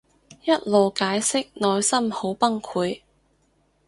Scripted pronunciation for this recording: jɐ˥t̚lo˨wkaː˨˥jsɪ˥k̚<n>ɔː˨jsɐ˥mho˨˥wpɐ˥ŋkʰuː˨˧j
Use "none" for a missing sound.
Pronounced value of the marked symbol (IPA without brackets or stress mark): n